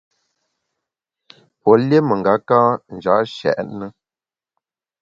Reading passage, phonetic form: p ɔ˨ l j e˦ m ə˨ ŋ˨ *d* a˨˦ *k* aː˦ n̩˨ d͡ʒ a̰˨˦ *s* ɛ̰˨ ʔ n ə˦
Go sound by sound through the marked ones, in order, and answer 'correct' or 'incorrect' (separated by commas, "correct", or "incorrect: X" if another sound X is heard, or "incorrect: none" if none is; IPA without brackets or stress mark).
incorrect: ɡ, correct, incorrect: ʃ